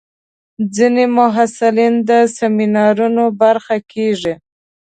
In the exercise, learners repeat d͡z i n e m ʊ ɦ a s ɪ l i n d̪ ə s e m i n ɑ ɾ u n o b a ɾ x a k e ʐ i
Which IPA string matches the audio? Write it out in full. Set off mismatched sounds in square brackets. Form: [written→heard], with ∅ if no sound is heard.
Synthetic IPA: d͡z i n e m ʊ ɦ a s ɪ l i n d̪ ə s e m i n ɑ ɾ u n o b a ɾ x a k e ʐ i

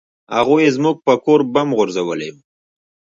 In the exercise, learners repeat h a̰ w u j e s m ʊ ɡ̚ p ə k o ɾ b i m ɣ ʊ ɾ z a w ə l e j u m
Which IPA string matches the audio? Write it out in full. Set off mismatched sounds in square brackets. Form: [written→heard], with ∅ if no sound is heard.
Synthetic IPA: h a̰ [w→ɣ] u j e [s→z] m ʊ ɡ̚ p ə k o ɾ b [i→a] m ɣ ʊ ɾ z a w ə l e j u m

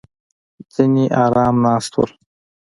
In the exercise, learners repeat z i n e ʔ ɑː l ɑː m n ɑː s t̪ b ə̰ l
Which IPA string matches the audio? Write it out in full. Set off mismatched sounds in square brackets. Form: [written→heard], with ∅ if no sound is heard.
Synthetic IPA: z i n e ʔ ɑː [l→ɾ] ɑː m n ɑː s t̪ [b→w] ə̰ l

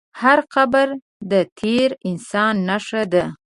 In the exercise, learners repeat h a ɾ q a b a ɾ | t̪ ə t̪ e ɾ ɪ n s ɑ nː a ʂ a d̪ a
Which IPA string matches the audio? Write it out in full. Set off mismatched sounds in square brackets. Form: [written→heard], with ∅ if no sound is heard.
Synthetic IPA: h a ɾ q a b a ɾ | [t̪→d̪] ə [t̪→t̪ʰ] e ɾ ɪ n s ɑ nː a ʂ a d̪ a

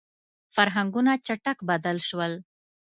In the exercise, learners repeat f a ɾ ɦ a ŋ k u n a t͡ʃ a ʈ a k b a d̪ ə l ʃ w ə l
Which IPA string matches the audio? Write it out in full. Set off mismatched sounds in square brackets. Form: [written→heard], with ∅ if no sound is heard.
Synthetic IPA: f a ɾ ɦ a ŋ [k→ɡ] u n a t͡ʃ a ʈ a k b a d̪ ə l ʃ w ə l

